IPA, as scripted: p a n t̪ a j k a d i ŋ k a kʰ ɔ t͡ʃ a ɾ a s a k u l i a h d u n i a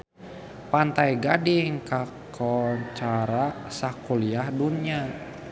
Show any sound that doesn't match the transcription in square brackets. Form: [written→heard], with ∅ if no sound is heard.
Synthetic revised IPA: p a n t̪ a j [k→ɡ] a d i ŋ k a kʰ ɔ t͡ʃ a ɾ a s a k u l i a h d u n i a